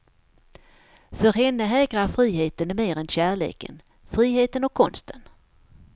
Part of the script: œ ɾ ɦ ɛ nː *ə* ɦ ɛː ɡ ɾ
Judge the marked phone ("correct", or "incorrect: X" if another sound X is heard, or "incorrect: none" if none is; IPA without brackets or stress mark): correct